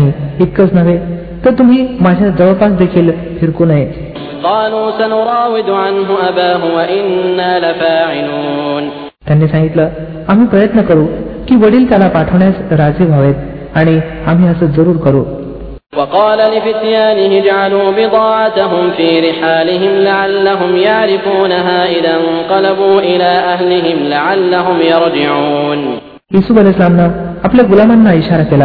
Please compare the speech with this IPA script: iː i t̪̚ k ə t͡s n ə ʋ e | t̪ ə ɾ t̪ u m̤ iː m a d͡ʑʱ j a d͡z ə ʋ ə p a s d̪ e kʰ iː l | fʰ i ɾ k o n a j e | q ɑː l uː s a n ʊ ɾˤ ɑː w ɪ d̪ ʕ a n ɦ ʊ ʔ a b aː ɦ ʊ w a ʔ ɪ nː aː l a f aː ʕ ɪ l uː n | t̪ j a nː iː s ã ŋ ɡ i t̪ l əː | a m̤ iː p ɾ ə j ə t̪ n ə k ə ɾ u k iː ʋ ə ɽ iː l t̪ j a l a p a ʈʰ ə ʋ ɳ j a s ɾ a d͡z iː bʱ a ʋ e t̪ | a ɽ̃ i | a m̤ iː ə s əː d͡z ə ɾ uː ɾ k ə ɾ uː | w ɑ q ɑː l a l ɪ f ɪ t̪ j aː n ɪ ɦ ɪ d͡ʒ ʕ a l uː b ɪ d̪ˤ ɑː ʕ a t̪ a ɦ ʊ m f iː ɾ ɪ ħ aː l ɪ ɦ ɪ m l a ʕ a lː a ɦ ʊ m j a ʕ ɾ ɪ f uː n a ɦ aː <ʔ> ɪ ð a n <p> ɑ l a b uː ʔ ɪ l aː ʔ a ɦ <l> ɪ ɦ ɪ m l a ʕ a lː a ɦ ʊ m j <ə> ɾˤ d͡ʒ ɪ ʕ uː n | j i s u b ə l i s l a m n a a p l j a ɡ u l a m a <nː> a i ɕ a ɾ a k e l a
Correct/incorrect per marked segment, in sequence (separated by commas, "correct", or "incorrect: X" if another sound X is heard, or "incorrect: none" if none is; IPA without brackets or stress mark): correct, incorrect: q, correct, incorrect: ɑ, correct